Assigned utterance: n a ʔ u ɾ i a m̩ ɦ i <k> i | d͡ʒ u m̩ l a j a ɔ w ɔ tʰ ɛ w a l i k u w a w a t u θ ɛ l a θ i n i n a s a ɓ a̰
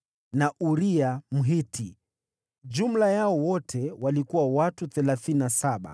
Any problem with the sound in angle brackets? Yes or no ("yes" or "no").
yes